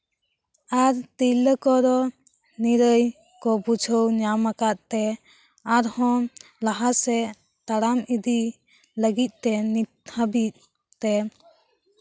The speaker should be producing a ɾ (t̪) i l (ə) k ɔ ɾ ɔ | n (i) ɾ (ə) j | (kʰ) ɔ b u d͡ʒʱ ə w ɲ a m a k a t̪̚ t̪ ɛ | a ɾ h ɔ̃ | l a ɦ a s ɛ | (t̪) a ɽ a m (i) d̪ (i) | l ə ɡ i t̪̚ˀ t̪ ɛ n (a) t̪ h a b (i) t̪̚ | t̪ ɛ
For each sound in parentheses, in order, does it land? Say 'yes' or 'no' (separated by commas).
yes, yes, yes, yes, no, yes, yes, yes, no, yes